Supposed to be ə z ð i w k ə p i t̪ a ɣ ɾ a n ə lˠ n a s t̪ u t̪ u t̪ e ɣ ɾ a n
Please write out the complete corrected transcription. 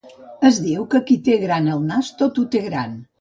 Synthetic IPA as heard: ə z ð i w k ə k i t̪ e ɣ ɾ a n ə lˠ n a s t̪ o t̪ u t̪ e ɣ ɾ a n